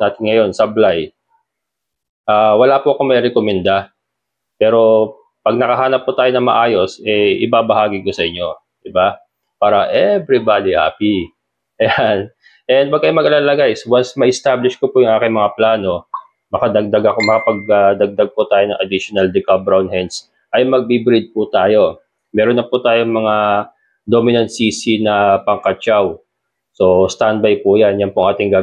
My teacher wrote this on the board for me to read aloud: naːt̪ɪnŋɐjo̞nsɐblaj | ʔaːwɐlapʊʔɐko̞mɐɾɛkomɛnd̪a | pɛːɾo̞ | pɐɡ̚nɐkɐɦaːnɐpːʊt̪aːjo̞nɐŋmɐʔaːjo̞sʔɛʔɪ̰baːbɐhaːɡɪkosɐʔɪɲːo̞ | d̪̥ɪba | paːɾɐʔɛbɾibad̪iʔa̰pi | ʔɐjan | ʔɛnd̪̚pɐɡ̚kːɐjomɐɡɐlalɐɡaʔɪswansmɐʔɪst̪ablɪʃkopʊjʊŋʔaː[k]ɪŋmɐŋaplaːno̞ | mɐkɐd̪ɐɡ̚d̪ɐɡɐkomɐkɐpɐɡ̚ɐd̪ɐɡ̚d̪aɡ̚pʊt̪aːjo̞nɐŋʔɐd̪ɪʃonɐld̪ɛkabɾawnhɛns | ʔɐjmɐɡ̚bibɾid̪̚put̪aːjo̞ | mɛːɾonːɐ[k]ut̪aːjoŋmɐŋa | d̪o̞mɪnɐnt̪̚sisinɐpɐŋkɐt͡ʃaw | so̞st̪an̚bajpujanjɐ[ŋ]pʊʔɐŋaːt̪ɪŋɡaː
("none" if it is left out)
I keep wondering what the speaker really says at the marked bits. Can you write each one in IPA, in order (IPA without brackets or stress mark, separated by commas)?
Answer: k, p, n